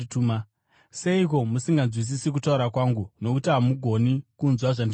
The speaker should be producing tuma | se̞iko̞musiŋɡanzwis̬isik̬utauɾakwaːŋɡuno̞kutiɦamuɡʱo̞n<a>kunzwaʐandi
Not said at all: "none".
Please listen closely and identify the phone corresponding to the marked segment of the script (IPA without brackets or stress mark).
i